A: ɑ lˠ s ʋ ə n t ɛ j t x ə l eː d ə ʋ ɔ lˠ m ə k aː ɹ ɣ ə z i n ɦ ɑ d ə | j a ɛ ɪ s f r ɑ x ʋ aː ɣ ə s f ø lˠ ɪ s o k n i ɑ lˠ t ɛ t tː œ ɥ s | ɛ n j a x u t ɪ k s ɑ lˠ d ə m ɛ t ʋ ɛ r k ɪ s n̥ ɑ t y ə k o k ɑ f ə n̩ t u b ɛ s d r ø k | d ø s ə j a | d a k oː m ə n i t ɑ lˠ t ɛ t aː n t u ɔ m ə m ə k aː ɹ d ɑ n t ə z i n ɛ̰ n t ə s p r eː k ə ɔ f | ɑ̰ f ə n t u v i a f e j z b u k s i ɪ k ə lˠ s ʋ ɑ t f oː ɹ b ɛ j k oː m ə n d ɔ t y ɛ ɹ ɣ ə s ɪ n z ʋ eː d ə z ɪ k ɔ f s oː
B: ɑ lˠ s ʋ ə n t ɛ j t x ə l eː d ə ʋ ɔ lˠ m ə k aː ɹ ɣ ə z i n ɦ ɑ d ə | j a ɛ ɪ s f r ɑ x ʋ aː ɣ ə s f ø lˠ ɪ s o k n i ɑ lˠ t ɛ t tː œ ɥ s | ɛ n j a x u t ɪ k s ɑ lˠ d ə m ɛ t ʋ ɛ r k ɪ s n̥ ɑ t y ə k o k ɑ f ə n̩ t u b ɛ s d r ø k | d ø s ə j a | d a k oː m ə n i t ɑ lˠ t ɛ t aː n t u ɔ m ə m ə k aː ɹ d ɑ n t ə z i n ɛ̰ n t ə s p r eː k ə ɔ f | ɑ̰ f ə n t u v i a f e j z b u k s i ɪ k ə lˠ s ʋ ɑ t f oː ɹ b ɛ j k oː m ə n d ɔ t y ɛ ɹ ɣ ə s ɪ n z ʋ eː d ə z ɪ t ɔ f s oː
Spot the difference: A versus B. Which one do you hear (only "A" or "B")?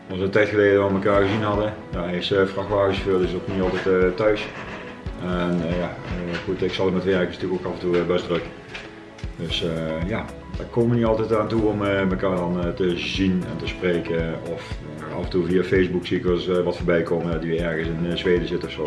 B